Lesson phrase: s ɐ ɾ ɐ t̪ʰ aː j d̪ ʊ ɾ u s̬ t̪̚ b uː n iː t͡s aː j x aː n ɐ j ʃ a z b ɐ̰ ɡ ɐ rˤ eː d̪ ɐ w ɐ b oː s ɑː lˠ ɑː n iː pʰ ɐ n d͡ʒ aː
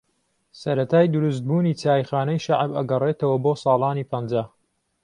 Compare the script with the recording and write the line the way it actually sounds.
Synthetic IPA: s ɐ ɾ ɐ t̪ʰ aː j d̪ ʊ ɾ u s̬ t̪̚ b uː n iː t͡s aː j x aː n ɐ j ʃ a ʕ b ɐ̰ ɡ ɐ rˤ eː t̪ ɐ w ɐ b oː s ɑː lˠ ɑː n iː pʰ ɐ n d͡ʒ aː